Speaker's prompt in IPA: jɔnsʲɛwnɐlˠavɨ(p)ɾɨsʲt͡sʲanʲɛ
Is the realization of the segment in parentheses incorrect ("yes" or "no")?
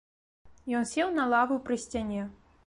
no